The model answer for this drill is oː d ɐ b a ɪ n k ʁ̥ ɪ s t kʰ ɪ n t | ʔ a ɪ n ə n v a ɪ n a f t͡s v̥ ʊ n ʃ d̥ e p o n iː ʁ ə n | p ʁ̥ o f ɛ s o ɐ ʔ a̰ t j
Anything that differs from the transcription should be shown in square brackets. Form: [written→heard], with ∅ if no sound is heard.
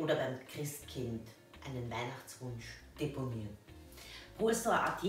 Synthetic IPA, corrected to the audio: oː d ɐ b a ɪ [n→m] k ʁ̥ ɪ s t kʰ ɪ n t | ʔ a ɪ n ə n v a ɪ n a [f→χ] t͡s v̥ ʊ n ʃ d̥ e p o n iː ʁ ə n | p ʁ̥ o f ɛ s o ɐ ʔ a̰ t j